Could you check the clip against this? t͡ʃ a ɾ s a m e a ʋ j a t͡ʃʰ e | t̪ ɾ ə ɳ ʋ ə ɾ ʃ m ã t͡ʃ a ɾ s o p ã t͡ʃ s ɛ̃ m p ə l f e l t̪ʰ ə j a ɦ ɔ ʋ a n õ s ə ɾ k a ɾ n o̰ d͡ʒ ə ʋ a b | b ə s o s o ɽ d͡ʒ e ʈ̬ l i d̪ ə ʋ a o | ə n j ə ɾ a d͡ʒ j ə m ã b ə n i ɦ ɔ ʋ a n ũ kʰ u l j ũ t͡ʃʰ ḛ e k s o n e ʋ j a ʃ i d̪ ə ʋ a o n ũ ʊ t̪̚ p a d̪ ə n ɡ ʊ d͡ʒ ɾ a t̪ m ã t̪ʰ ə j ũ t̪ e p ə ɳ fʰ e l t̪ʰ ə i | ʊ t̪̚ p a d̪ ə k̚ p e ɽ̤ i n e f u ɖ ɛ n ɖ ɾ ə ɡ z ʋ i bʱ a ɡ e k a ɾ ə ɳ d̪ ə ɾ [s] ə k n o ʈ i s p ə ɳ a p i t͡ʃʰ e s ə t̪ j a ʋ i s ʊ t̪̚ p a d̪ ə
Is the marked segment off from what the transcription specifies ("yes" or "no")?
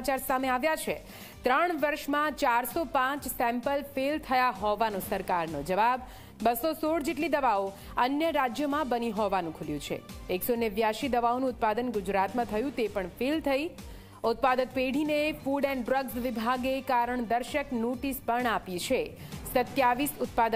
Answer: yes